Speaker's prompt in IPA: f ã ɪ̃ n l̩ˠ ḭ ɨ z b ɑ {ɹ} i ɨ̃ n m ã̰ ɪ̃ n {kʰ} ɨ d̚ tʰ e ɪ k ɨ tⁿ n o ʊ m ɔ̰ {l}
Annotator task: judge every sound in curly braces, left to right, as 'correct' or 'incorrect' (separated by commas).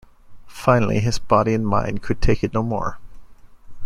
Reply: incorrect, correct, incorrect